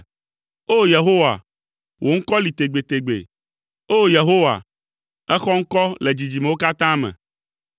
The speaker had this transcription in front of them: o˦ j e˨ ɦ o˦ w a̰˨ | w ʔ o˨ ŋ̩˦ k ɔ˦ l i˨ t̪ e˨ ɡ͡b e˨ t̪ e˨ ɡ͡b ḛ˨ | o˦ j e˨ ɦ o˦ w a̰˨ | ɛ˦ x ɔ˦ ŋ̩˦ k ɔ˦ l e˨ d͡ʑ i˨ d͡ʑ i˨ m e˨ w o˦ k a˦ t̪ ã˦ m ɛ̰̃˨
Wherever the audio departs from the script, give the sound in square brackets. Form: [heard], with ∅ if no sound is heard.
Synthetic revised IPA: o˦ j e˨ ɦ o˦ w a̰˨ | w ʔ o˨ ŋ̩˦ k ɔ˦ l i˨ t̪ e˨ ɡ͡b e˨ t̪ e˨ ɡ͡b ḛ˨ | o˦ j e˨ ɦ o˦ w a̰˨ | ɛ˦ x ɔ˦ ŋ̩˦ k ɔ˦ l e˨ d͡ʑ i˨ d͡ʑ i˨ m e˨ w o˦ k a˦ t̪ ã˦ m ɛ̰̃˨